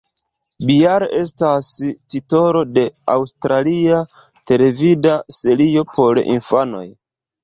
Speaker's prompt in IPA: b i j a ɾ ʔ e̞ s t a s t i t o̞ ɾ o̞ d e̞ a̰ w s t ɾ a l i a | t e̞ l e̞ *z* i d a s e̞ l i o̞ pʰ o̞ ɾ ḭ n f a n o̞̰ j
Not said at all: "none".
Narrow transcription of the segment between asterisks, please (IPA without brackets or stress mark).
v